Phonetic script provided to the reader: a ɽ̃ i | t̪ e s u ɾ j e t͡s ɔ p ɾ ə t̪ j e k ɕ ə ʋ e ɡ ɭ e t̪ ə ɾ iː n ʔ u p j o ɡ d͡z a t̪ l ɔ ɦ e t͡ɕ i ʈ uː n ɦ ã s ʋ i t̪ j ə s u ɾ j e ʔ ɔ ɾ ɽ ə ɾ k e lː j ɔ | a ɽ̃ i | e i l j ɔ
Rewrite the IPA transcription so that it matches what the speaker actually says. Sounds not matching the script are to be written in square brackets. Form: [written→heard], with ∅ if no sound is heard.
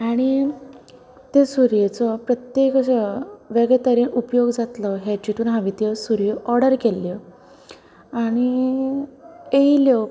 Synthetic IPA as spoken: a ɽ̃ i | t̪ e s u ɾ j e t͡s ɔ p ɾ ə t̪ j e k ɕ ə ʋ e ɡ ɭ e t̪ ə ɾ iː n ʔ u p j o ɡ d͡z a t̪ l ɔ ɦ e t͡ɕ i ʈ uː n ɦ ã [s→∅] ʋ i t̪ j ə s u ɾ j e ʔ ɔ ɾ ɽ ə ɾ k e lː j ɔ | a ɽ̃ i | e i l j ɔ